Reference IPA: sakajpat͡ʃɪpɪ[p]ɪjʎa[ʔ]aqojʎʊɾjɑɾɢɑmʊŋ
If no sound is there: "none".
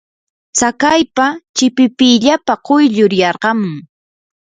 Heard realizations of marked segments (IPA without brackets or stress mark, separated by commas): p, p